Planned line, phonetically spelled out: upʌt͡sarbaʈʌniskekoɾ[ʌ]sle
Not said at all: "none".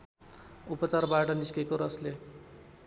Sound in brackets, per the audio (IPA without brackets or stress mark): ʌ